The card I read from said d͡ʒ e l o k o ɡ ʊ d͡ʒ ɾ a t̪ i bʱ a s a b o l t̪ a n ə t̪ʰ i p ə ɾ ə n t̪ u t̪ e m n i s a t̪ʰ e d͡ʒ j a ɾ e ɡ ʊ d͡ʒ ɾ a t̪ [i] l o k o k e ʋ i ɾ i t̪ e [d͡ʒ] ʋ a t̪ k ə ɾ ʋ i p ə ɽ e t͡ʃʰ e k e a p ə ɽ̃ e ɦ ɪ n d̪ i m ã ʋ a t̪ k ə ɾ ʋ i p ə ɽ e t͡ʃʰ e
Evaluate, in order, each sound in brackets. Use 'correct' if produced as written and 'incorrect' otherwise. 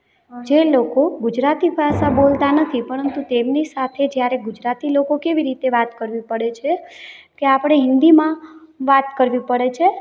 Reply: correct, incorrect: none

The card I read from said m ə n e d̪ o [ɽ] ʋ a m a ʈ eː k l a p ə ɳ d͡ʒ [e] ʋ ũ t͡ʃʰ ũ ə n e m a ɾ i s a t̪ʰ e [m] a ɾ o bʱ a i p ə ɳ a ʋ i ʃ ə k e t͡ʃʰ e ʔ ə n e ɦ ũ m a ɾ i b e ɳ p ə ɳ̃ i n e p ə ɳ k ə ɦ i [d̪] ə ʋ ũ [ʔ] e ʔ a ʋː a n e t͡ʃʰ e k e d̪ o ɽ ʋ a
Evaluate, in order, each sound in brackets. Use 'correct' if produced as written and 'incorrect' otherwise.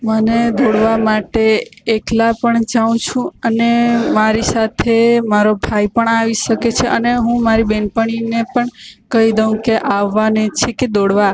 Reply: correct, incorrect: a, correct, correct, incorrect: k

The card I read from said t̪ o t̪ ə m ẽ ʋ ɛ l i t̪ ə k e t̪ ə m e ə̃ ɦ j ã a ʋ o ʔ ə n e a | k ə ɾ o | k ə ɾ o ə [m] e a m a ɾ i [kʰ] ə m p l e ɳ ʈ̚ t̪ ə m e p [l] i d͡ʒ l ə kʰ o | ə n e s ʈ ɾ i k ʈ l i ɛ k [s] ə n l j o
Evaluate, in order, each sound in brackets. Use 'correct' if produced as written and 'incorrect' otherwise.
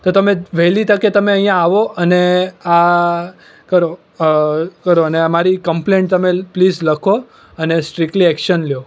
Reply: incorrect: n, incorrect: k, correct, incorrect: ʃ

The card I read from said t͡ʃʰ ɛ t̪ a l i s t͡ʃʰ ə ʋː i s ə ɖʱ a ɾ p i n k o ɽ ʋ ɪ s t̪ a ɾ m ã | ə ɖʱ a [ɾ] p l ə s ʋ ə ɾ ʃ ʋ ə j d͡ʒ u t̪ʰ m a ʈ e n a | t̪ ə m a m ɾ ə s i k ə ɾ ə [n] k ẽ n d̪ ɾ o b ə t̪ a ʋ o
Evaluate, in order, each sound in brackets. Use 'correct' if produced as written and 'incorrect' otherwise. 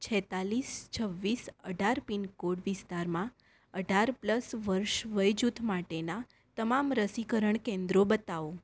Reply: correct, incorrect: ɳ

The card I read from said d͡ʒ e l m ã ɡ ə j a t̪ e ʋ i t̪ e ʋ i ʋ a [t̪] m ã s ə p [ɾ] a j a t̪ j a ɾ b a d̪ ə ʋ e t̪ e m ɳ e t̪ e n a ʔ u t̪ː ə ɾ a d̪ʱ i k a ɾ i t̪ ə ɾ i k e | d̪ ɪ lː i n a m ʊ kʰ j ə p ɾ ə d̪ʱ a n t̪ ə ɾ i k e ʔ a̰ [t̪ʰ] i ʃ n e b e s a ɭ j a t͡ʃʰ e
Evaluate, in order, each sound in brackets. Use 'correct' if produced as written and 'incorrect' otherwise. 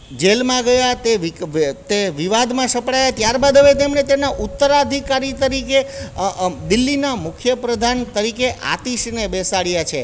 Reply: incorrect: d̪, incorrect: ɽ, incorrect: t̪

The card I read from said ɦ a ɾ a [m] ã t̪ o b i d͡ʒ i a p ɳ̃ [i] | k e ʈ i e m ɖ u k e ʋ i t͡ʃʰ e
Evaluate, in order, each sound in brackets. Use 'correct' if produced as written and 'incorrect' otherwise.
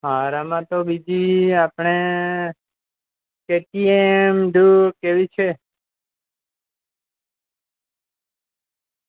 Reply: correct, incorrect: e

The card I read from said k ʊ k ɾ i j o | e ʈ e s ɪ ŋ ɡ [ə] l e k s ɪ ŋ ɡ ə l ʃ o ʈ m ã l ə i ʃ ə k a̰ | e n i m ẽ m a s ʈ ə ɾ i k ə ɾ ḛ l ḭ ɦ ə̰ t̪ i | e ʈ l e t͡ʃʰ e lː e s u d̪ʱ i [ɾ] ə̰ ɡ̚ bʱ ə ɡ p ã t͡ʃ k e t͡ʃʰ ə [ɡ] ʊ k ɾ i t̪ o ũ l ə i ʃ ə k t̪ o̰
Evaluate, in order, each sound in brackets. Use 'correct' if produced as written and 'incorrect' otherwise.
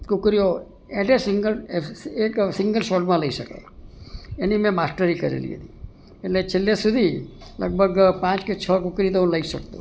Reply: correct, incorrect: l, incorrect: k

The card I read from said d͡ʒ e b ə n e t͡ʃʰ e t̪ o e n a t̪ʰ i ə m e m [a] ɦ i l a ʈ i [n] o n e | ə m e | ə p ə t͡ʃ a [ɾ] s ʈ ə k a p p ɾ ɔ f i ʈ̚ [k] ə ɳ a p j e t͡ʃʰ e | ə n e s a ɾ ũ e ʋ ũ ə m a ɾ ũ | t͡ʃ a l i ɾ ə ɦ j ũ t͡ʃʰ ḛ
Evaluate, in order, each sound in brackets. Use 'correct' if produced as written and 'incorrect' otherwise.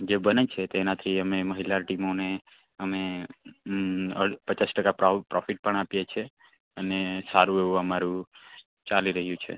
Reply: incorrect: ə, incorrect: m, incorrect: none, incorrect: p

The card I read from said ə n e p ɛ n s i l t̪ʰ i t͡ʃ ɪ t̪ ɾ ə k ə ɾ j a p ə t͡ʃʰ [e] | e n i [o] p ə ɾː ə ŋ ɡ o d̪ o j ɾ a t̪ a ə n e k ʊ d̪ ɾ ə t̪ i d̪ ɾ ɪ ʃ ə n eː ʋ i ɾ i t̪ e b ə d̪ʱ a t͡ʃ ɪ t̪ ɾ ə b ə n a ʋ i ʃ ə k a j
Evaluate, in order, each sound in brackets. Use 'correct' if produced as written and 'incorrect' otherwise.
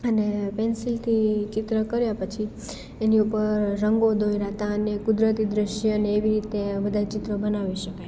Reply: incorrect: i, incorrect: u

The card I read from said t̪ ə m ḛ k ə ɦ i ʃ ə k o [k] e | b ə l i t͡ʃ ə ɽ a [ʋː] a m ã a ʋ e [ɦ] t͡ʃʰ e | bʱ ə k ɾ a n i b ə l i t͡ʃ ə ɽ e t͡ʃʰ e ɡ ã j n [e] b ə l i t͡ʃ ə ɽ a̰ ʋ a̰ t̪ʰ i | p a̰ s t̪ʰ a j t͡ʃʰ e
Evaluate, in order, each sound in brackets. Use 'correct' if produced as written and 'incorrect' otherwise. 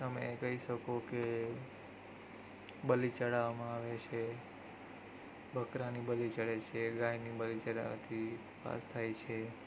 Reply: correct, incorrect: ʋ, incorrect: none, incorrect: i

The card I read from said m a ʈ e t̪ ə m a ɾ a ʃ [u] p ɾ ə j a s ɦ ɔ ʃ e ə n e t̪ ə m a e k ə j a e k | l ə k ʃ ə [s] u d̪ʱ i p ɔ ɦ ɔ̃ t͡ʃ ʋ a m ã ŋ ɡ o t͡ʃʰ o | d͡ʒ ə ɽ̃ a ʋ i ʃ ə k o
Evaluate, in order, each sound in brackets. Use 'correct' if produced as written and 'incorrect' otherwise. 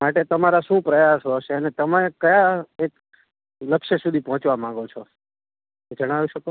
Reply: incorrect: ũ, correct

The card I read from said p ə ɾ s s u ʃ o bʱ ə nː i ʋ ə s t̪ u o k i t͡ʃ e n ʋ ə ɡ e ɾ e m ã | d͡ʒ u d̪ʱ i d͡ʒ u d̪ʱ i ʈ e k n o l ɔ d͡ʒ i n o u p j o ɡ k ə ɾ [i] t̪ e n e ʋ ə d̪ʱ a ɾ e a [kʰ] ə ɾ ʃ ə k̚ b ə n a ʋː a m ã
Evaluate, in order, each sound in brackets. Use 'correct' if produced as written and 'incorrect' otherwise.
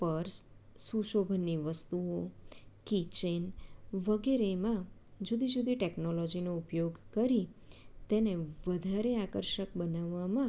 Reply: correct, incorrect: k

